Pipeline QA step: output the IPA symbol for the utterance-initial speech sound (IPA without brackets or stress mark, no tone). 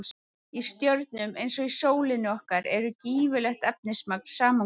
i